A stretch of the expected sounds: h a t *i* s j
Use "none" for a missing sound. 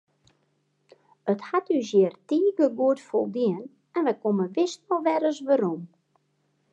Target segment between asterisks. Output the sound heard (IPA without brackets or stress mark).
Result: y